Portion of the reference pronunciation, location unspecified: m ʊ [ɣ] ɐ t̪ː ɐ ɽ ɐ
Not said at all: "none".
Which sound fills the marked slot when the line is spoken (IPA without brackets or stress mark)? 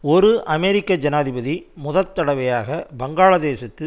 ð